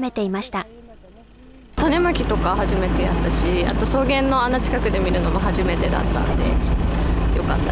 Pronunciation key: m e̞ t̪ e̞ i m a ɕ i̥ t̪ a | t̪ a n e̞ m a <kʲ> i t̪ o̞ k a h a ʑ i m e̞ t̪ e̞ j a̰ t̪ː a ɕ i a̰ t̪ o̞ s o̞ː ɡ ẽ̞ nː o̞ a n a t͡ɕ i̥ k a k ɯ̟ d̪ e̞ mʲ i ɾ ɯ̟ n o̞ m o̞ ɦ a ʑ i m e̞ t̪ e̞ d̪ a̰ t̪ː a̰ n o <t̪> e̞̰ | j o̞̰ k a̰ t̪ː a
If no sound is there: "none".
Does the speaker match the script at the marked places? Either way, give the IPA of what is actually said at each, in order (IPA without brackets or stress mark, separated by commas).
kʲ, d̪